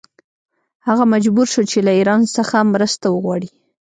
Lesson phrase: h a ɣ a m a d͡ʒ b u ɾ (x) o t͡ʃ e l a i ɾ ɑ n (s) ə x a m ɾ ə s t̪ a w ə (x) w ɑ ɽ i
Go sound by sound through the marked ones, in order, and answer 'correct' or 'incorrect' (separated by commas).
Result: incorrect, correct, incorrect